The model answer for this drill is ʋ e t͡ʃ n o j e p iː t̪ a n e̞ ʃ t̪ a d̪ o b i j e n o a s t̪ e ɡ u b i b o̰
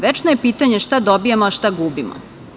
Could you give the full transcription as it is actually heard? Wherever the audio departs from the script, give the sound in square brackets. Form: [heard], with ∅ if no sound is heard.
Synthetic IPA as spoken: ʋ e t͡ʃ n o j e p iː t̪ a [ɲ] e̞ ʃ t̪ a d̪ o b i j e [m] o a [ʃ] t̪ [a] ɡ u b i [m] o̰

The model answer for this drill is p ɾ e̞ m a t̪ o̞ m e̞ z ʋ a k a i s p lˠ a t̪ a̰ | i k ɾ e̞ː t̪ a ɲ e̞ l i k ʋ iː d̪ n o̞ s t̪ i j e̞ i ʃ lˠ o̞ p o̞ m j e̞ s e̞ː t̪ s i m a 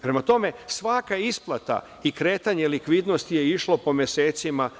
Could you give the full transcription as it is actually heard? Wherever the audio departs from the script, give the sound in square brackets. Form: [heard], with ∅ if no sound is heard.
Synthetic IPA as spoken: p ɾ e̞ m a t̪ o̞ m e̞ [s] ʋ a k a i s p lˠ a t̪ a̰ | i k ɾ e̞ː t̪ a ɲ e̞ l i k ʋ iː d̪ n o̞ s t̪ i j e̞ i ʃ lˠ o̞ p o̞ m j e̞ s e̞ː t̪ s i m a

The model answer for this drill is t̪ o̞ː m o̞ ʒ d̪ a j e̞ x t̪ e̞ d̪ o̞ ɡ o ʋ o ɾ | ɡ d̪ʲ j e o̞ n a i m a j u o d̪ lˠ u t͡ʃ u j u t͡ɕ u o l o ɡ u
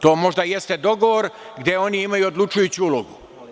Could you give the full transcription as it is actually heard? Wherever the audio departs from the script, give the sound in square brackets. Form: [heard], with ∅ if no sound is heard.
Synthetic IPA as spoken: t̪ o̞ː m o̞ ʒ d̪ a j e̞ [s] t̪ e̞ d̪ o̞ ɡ o ʋ o ɾ | ɡ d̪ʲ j e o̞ n [i] i m a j u o d̪ lˠ u t͡ʃ u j u t͡ɕ u [u] l o ɡ u

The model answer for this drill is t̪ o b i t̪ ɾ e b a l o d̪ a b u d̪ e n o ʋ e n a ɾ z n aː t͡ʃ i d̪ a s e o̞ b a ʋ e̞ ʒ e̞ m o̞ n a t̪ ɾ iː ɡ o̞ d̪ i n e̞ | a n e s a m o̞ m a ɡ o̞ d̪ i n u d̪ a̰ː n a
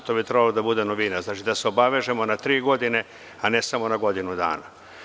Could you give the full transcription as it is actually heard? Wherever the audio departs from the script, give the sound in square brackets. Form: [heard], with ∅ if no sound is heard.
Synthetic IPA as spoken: t̪ o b i t̪ ɾ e b a l o d̪ a b u d̪ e n o ʋ [i] n a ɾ z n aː t͡ʃ i d̪ a s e o̞ b a ʋ e̞ ʒ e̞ m o̞ n a t̪ ɾ iː ɡ o̞ d̪ i n e̞ | a n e s a m o̞ [n] a ɡ o̞ d̪ i n u d̪ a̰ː n a

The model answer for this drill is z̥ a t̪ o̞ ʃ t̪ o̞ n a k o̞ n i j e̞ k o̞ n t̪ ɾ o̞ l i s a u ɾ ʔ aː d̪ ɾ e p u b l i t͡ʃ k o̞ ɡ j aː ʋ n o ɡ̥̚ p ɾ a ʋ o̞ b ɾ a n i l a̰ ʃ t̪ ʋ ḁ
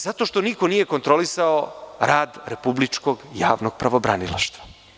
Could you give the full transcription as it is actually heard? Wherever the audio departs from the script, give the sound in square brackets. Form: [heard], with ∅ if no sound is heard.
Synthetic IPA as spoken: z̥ a t̪ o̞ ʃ t̪ o̞ n [i] k o̞ n i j e̞ k o̞ n t̪ ɾ o̞ l i s a [o] ɾ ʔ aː d̪ ɾ e p u b l i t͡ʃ k o̞ ɡ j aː ʋ n o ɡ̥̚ p ɾ a ʋ o̞ b ɾ a n i l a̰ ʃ t̪ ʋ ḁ

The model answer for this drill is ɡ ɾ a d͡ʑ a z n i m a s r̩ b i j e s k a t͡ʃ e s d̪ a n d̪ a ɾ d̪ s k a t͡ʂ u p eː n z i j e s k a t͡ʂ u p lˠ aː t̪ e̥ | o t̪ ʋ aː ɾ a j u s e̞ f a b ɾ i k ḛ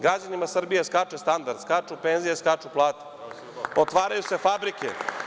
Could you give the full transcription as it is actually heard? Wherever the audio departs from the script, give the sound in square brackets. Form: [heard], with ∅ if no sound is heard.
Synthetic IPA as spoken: ɡ ɾ a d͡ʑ a [∅] n i m a s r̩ b i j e s k a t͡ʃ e s [t̪] a n d̪ a ɾ d̪ s k a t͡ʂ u p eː n z i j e s k a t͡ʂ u p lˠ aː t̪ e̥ | o t̪ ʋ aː ɾ a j u s e̞ f a b ɾ i k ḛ

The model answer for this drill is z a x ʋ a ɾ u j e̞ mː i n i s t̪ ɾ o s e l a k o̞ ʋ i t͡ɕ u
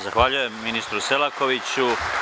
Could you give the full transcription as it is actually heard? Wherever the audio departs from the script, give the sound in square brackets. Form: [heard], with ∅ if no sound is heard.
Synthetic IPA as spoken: z a x ʋ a [ʎ] u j e̞ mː i n i s t̪ ɾ [u] s e l a k o̞ ʋ i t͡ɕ u

